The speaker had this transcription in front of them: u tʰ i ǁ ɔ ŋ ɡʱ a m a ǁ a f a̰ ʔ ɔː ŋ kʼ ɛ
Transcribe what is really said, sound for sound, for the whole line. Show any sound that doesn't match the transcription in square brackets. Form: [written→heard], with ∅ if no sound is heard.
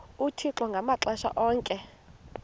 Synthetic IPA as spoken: u tʰ i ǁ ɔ ŋ ɡʱ a m a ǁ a [f→ʃ] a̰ ʔ ɔː ŋ kʼ ɛ